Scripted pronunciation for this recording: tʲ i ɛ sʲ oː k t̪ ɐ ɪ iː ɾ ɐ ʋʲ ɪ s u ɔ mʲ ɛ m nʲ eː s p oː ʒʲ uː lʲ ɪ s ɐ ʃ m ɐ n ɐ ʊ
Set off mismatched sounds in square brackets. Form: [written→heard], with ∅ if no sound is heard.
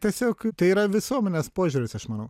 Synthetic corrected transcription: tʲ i ɛ sʲ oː k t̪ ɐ ɪ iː ɾ ɐ ʋʲ ɪ s u ɔ mʲ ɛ [m→∅] nʲ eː s p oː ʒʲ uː [lʲ→ɾʲ] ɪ s ɐ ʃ m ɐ n ɐ ʊ